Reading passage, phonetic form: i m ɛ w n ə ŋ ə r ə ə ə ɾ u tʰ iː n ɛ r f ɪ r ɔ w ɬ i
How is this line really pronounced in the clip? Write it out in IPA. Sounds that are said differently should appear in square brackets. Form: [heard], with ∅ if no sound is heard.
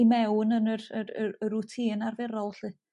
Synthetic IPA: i m ɛ w n ə [n] ə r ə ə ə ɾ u tʰ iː n [a] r [v] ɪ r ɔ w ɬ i